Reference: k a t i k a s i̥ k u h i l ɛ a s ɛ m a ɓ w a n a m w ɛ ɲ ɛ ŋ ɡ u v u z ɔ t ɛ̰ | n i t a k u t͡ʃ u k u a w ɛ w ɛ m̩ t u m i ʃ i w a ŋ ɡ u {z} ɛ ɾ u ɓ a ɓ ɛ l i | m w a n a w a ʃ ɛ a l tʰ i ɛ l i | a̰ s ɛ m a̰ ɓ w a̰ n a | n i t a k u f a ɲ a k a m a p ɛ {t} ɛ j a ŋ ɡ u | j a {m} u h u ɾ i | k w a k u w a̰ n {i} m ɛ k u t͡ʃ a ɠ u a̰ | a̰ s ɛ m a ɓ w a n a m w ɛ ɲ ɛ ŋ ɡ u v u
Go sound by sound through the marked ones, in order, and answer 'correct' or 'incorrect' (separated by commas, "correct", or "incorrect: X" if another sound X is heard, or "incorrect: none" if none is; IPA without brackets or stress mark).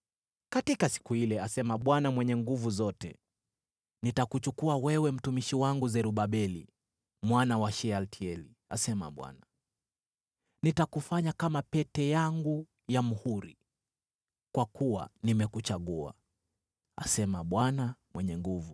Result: correct, correct, correct, correct